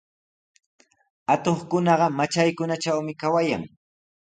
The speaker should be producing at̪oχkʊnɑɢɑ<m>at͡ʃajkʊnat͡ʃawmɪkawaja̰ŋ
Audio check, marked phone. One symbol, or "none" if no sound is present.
m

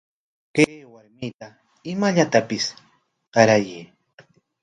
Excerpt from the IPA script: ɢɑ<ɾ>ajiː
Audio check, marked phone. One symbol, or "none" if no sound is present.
ɾ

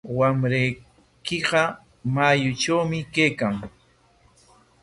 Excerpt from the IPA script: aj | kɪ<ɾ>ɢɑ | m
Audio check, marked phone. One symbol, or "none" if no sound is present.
none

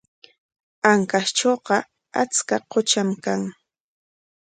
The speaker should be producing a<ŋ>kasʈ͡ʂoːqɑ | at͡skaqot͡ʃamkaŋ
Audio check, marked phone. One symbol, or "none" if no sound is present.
ŋ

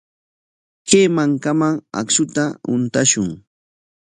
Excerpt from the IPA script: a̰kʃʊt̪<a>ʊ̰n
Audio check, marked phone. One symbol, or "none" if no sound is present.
a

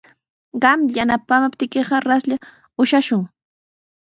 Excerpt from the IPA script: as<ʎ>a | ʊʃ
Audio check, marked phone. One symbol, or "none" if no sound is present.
ʎ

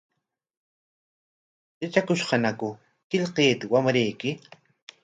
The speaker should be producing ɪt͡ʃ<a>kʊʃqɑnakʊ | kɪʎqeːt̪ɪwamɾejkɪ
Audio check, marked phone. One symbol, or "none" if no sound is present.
a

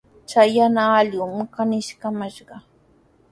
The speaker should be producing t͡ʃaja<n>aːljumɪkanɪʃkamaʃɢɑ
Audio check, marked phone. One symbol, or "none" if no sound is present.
n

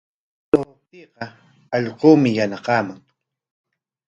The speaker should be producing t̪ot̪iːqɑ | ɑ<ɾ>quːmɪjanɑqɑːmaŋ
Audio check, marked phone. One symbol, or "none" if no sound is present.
ʎ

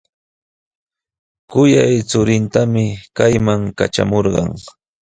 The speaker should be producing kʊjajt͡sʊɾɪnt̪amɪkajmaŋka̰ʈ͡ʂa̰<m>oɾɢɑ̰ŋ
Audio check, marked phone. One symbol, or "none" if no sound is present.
m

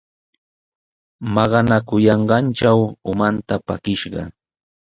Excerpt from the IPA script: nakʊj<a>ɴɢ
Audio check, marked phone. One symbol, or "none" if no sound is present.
ɑ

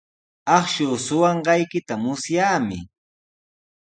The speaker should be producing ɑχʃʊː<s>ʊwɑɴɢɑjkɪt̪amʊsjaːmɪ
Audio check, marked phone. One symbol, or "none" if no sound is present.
s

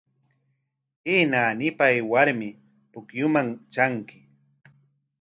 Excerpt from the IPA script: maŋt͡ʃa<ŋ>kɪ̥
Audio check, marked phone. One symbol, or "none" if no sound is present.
ŋ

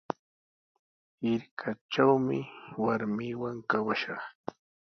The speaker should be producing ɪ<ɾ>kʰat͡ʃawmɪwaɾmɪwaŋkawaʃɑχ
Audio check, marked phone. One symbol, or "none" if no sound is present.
ɾ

